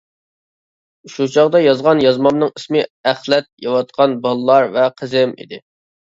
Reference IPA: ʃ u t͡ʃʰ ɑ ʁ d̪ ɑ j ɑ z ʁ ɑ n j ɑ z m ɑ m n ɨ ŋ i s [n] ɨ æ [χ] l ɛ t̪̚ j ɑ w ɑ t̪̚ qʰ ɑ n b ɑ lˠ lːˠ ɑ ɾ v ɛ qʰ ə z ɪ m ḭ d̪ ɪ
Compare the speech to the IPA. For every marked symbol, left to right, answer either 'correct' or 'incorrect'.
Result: incorrect, correct

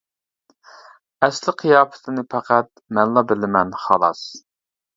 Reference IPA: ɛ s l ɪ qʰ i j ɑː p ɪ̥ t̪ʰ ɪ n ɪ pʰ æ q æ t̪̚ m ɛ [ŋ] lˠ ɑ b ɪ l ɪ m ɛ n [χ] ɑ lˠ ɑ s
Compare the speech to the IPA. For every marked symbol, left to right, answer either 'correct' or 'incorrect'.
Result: incorrect, correct

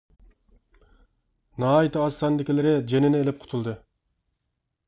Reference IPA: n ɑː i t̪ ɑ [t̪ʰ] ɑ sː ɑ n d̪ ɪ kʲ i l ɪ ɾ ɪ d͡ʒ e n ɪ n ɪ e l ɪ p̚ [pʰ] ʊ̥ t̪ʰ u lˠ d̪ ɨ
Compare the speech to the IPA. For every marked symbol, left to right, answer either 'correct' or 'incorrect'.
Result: incorrect, incorrect

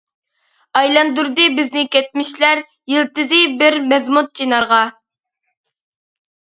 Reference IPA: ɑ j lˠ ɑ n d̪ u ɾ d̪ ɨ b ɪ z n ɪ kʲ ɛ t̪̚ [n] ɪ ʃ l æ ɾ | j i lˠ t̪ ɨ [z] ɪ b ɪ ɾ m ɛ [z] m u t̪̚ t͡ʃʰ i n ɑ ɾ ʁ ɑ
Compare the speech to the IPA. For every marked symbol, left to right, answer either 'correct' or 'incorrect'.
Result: incorrect, correct, correct

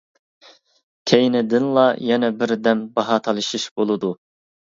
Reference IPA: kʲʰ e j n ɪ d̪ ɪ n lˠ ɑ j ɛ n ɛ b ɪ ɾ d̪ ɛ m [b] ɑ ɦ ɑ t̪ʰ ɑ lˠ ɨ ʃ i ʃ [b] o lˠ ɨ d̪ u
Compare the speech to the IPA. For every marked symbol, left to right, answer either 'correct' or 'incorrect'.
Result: correct, correct

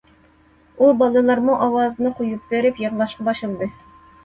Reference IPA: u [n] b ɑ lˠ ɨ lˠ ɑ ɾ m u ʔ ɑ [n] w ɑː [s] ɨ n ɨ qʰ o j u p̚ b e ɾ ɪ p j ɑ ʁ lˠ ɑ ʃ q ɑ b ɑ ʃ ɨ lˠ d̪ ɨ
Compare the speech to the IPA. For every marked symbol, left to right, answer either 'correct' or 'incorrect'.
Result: incorrect, incorrect, incorrect

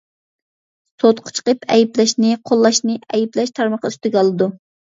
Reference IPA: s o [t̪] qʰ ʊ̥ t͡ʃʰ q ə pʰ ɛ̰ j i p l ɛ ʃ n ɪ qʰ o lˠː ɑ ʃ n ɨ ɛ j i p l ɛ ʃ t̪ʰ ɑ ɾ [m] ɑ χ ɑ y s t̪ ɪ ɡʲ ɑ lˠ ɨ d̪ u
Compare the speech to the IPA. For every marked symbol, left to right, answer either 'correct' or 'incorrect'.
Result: correct, correct

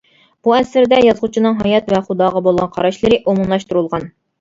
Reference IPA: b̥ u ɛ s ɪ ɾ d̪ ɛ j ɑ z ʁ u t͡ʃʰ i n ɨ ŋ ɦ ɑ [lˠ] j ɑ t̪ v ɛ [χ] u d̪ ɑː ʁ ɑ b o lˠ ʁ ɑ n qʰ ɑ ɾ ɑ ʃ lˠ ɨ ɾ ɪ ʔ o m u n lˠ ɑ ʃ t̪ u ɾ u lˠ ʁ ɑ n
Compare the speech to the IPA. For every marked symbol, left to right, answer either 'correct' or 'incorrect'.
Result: incorrect, correct

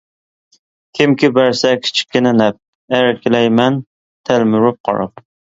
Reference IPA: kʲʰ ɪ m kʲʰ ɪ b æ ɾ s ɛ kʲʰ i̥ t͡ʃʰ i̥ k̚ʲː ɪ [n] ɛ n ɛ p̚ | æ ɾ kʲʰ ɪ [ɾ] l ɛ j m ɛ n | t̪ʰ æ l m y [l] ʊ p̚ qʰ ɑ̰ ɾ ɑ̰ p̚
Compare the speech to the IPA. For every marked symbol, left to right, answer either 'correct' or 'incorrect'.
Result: correct, incorrect, incorrect

